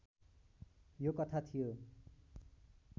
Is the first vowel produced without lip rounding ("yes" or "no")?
no